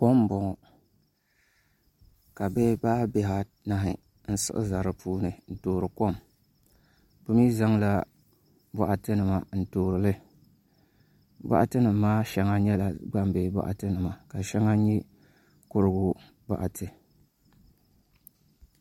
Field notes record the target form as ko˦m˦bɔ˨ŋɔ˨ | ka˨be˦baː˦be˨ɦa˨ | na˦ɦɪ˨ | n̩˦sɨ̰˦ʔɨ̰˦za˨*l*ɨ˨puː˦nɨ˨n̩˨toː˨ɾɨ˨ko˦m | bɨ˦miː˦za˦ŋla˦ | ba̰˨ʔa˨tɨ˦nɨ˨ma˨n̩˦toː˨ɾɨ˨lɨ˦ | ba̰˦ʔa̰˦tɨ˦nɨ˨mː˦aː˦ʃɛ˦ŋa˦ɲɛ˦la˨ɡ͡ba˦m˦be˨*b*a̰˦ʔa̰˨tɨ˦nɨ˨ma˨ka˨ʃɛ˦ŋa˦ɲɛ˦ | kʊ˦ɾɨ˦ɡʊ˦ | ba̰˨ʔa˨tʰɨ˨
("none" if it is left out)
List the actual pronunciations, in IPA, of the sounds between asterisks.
ɾ, b

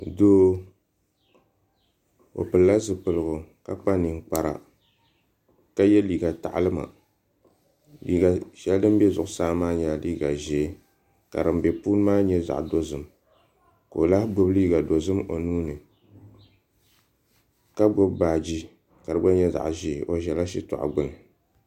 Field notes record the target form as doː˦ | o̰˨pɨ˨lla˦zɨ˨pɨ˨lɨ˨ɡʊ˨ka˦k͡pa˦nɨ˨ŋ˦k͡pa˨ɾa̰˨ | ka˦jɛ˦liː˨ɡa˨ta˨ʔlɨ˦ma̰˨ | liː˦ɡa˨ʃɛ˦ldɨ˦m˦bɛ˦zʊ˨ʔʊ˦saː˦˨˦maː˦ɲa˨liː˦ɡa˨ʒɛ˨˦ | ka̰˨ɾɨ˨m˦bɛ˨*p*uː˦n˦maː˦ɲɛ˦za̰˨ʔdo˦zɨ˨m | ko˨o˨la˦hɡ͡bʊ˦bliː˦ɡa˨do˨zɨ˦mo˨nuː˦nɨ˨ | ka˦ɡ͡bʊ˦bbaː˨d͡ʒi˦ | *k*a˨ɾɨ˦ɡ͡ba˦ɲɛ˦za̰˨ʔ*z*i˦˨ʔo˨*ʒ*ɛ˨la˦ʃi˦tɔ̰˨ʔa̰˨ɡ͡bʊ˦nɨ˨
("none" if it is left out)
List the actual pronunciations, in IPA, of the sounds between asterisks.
p, k, ʒ, ʒ

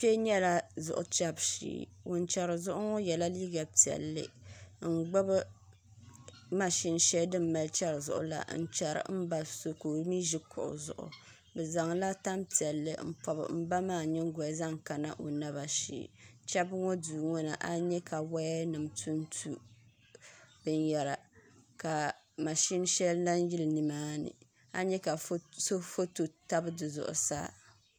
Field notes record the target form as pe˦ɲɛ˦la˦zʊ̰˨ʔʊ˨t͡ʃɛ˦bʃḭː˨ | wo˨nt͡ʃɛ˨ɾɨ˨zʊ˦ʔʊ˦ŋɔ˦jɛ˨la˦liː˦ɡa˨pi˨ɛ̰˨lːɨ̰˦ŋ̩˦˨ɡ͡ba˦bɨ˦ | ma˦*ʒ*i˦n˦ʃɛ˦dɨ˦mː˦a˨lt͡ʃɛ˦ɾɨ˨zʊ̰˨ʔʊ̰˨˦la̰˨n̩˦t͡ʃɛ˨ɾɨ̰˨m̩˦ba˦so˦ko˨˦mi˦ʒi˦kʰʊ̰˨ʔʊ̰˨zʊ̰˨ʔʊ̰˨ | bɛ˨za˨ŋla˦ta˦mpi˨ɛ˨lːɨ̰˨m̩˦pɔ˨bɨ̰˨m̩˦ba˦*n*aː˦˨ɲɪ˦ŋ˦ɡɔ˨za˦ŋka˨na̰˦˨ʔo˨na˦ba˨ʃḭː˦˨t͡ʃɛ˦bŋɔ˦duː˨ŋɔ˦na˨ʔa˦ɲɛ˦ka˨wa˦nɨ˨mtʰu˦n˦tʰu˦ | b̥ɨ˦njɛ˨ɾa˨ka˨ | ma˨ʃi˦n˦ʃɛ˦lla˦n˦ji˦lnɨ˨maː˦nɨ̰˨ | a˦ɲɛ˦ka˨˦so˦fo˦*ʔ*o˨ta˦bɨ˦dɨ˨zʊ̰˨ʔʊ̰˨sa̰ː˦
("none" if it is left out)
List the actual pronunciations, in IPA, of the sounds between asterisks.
ʃ, m, t

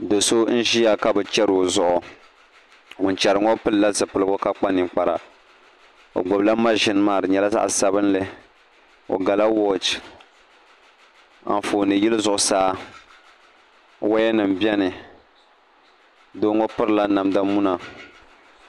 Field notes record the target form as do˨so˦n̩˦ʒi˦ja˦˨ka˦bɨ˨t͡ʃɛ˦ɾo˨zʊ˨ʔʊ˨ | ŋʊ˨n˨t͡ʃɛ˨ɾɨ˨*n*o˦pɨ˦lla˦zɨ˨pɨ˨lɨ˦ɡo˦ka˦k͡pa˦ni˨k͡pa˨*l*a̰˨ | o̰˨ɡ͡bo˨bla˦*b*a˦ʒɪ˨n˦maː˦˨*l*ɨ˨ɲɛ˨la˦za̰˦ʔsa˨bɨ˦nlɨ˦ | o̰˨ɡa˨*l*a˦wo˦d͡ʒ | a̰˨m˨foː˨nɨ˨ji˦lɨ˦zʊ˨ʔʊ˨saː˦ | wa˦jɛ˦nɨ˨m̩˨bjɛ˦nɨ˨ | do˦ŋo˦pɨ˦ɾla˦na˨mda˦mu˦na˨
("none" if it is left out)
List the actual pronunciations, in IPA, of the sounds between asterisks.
ŋ, ɾ, m, ɾ, l

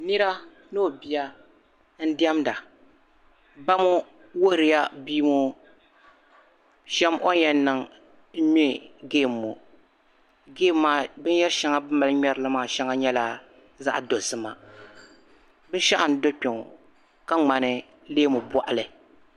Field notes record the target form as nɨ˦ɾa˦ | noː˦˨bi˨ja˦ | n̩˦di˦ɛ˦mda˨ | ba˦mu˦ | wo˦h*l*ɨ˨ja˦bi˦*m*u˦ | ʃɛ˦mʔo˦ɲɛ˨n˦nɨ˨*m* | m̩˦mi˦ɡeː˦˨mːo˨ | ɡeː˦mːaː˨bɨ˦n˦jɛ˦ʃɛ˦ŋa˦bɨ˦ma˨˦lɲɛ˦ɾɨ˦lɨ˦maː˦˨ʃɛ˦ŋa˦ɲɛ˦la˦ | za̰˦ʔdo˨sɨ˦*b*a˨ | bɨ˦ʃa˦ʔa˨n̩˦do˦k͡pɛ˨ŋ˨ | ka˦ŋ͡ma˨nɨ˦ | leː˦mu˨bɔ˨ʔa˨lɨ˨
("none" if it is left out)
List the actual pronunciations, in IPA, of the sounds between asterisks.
ɾ, m, ŋ, m

